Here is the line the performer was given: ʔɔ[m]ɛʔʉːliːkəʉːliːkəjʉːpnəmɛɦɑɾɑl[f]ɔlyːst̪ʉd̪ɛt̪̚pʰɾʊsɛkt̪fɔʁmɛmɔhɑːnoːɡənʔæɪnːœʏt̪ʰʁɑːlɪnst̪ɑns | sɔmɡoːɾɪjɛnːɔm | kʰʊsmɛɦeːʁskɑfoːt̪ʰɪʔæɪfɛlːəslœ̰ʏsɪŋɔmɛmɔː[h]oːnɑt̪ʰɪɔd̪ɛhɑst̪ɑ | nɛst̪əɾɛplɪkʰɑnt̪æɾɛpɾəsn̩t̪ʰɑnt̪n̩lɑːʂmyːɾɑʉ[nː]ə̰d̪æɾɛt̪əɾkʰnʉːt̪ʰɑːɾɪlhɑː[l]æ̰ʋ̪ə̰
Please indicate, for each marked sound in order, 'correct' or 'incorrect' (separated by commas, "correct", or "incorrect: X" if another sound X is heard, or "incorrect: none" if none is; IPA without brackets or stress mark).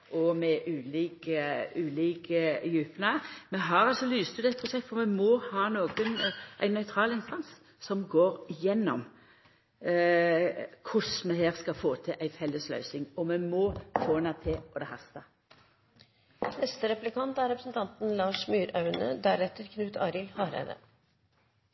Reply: correct, incorrect: s, incorrect: f, incorrect: n, incorrect: ɾ